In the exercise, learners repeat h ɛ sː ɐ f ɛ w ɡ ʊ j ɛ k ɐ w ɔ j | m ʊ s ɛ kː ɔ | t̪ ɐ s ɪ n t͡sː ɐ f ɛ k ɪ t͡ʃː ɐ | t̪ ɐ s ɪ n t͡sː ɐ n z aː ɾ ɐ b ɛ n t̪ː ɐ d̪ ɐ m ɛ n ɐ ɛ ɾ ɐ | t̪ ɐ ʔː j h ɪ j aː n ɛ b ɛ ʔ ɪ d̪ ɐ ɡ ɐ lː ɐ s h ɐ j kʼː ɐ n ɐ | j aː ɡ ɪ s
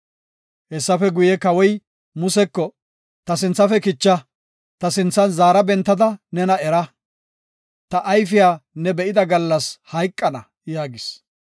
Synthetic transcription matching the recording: h ɛ sː ɐ f ɛ ɡ ʊ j ɛ k ɐ w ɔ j | m ʊ s ɛ kː ɔ | t̪ ɐ s ɪ n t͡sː ɐ f ɛ k ɪ t͡ʃː ɐ | t̪ ɐ s ɪ n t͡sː ɐ n z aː ɾ ɐ b ɛ n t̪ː ɐ d̪ ɐ n ɛ n ɐ ɛ ɾ ɐ | t̪ ɐ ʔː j f ɪ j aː n ɛ b ɛ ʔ ɪ d̪ ɐ ɡ ɐ lː ɐ s h ɐ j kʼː ɐ n ɐ | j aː ɡ ɪ s